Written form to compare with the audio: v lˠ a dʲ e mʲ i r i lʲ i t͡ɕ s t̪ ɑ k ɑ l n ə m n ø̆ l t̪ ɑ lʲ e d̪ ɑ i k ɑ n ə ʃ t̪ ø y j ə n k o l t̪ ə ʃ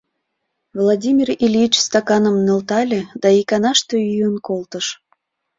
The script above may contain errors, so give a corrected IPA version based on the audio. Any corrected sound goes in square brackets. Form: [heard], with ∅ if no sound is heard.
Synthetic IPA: v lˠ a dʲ [i] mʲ i r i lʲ i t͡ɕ s t̪ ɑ k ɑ [∅] n ə m n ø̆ l t̪ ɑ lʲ e d̪ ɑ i k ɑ n [ɑ] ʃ t̪ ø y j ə n k o l t̪ ə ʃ